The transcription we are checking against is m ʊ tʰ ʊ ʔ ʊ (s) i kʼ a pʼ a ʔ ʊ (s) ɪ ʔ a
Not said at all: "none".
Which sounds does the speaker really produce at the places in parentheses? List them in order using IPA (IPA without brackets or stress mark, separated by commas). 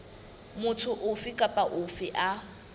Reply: f, f